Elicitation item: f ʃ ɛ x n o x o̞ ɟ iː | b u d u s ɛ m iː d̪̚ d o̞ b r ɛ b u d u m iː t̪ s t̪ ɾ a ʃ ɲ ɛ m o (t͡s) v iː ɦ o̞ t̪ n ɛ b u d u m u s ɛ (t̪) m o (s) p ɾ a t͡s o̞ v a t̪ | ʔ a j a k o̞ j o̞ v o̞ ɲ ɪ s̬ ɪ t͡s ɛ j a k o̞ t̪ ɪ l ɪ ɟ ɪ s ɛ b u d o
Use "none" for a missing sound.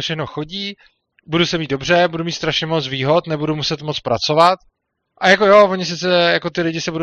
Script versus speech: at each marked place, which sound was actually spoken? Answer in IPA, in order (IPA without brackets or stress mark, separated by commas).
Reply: t͡s, t̪, t͡s